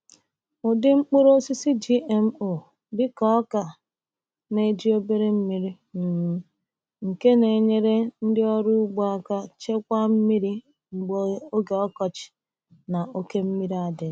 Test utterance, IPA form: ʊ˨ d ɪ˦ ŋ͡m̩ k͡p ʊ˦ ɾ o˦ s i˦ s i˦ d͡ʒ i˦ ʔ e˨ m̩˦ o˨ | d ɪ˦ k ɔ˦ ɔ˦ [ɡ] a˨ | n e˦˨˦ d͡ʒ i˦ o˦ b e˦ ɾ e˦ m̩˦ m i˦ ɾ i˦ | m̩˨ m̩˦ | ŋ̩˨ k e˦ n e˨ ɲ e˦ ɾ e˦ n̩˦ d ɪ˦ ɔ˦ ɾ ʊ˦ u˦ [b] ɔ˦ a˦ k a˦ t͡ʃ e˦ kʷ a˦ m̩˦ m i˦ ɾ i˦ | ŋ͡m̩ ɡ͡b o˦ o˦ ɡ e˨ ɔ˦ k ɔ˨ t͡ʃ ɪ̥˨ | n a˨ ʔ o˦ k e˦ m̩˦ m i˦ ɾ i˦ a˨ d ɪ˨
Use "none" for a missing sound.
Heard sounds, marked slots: k, ɡ͡b

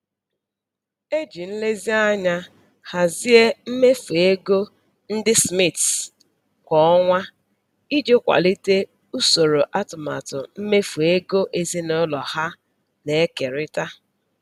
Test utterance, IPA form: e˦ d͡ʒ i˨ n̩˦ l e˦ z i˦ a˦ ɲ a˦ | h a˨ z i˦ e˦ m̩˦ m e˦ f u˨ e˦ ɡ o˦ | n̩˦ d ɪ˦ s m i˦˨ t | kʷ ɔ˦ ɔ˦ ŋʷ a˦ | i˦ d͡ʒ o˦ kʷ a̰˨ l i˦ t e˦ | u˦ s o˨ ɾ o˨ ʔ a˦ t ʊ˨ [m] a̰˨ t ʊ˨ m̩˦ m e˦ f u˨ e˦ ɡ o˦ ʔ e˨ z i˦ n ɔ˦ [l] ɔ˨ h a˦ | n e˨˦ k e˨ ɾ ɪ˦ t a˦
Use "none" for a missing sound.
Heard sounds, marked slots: m, l

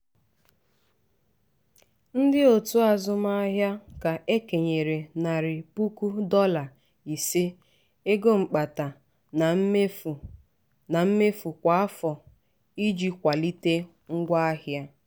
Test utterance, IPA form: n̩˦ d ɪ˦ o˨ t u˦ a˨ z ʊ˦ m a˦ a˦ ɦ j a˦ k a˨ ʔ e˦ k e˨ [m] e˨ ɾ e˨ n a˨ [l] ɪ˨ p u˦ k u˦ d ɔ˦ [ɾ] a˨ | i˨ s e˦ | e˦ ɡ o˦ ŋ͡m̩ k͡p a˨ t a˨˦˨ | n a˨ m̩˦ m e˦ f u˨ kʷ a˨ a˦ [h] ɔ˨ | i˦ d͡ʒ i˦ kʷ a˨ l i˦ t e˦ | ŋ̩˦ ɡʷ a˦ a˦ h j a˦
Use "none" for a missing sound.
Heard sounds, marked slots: ɲ, ɾ, l, f

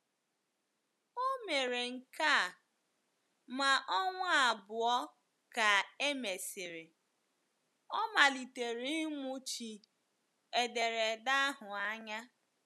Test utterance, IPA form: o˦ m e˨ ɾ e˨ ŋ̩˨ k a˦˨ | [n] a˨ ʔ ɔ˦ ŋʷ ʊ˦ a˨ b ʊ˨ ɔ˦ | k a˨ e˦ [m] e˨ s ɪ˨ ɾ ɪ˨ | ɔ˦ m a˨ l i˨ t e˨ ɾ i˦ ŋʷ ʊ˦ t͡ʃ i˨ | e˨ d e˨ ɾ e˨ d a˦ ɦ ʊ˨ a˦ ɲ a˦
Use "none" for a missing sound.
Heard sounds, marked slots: m, m

